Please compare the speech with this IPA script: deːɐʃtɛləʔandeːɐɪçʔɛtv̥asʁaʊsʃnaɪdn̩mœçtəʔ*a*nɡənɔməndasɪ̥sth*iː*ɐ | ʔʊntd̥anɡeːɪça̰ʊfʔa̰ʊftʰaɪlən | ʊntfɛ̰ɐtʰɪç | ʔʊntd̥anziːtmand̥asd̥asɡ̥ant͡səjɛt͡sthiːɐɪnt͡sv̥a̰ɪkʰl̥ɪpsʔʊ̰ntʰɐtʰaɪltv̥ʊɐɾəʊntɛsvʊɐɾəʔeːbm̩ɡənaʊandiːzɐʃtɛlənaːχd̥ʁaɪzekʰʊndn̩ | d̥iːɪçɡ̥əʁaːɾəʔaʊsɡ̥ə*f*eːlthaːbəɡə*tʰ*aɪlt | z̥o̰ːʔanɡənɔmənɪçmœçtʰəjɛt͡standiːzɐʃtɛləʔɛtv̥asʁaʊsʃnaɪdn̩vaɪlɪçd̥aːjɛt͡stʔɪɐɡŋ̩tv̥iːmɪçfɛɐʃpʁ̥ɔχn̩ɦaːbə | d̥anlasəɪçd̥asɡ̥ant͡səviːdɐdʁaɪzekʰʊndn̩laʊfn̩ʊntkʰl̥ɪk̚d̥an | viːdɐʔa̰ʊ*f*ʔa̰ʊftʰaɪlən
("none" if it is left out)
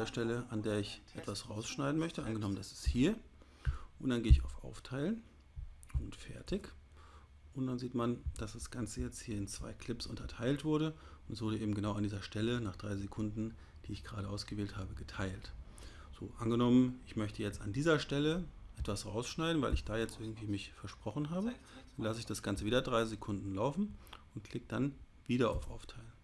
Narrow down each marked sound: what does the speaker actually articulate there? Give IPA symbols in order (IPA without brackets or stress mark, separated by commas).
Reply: a, iː, v, tʰ, f